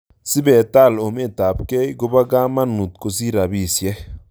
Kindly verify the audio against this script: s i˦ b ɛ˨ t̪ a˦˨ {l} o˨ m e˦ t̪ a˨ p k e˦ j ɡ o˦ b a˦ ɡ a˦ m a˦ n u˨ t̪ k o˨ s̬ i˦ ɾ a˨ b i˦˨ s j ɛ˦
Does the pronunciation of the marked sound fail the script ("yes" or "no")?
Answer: no